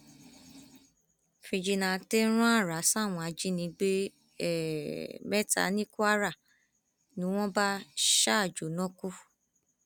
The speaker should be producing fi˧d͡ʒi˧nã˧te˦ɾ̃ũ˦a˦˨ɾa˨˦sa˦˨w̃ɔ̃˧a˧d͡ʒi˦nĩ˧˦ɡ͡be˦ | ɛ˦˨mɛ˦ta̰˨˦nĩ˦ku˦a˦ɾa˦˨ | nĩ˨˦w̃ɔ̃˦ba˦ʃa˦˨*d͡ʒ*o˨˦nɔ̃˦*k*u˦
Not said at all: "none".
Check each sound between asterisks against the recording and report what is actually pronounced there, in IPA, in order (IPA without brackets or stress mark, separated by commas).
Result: d͡ʒ, k